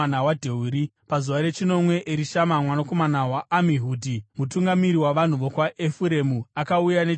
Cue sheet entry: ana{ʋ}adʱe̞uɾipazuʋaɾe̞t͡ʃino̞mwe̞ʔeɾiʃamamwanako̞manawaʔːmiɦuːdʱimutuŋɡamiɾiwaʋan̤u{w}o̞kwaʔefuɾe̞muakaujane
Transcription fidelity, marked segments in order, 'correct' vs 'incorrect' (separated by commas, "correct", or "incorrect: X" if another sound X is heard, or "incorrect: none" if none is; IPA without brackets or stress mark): incorrect: w, incorrect: ʋ